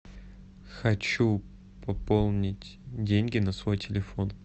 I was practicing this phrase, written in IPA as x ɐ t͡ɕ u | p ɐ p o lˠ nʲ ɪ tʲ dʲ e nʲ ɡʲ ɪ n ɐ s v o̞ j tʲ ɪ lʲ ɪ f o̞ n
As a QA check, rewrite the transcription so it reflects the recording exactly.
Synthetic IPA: x ɐ t͡ɕ u | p ɐ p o lˠ nʲ ɪ tʲ dʲ e nʲ ɡʲ ɪ n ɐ s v o̞ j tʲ ɪ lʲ ɪ f o̞ n